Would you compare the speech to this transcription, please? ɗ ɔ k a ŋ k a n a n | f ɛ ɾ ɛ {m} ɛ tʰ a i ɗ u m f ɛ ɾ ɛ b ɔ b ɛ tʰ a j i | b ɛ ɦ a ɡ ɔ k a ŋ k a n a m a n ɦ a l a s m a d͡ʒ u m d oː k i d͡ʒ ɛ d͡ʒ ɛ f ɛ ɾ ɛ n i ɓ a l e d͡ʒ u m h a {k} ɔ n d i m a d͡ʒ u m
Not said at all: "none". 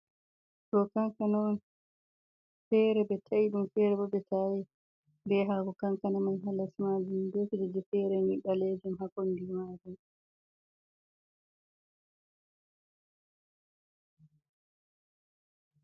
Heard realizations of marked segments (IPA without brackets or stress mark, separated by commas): b, k